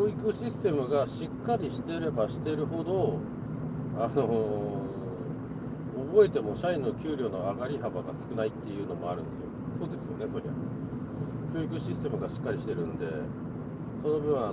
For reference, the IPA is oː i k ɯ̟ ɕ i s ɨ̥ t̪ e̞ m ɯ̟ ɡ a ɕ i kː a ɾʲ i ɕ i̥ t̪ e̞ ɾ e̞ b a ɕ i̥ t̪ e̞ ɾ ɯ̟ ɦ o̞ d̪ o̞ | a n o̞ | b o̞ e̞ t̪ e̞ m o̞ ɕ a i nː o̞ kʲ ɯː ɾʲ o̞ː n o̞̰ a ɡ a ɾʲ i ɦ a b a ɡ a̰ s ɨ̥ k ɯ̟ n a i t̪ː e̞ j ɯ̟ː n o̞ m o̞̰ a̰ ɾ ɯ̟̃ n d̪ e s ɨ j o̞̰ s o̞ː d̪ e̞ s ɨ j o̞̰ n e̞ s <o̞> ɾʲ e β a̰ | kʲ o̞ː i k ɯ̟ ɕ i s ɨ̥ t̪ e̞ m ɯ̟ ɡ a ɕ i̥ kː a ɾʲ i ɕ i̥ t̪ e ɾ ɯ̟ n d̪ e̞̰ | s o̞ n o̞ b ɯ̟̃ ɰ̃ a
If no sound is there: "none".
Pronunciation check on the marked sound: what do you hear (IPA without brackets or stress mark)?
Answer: o̞